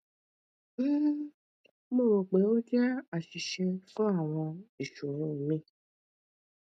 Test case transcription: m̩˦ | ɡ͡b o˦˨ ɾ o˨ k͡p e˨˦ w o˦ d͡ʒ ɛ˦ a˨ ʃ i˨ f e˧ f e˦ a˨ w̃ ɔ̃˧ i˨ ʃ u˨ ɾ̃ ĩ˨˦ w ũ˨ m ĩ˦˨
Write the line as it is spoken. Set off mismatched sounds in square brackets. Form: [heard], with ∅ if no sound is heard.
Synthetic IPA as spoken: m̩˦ | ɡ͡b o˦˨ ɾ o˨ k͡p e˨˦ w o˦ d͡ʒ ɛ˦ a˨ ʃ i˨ [ʃ] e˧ f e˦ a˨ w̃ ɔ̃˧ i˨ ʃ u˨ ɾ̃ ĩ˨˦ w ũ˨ m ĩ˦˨